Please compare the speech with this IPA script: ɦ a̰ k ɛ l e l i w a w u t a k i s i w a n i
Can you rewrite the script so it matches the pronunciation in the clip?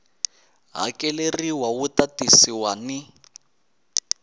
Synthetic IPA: ɦ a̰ k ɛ l e r i w a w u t a t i s i w a n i